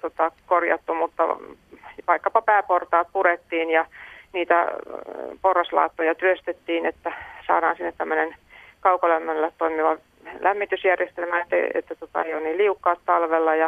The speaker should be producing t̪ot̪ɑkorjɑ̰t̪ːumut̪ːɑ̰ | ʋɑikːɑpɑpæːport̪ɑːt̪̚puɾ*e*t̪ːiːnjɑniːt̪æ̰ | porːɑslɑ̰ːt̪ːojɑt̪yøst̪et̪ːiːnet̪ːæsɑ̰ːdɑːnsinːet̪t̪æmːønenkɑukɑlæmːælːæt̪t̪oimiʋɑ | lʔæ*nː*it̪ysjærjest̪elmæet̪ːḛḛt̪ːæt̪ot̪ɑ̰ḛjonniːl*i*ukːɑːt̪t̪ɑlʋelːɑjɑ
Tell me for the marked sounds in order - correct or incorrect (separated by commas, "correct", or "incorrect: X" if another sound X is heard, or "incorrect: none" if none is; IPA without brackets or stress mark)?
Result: correct, incorrect: mː, correct